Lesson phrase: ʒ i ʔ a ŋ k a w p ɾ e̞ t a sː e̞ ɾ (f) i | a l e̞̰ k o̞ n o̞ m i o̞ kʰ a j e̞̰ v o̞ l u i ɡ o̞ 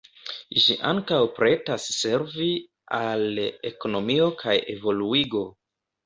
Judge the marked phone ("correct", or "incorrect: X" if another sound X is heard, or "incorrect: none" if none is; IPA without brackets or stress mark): incorrect: v